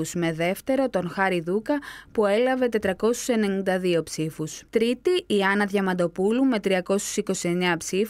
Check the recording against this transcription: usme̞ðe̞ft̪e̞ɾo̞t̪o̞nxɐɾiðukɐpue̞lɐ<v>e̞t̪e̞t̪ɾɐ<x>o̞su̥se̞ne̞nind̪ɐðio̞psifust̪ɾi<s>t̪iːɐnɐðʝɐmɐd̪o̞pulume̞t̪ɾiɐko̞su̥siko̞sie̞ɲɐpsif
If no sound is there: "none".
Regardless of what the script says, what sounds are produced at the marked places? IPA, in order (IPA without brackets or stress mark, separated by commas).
v, k, none